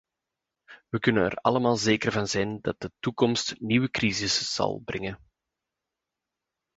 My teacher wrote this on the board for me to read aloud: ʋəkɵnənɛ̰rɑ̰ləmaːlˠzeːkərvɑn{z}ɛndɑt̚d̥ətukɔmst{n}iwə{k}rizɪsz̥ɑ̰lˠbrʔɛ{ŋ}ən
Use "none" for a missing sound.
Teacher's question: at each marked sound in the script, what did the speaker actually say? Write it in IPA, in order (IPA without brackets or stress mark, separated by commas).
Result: z, n, k, ŋ